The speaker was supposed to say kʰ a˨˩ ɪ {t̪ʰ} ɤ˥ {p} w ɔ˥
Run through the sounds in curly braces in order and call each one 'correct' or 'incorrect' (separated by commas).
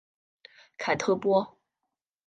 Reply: correct, correct